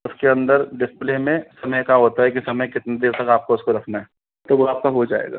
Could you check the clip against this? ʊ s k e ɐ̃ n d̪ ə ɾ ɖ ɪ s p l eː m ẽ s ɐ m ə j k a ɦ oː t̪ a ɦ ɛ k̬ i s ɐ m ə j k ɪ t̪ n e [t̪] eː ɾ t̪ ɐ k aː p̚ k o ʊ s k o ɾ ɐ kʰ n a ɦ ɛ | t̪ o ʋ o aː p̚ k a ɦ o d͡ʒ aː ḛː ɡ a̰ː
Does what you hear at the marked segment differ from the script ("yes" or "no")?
yes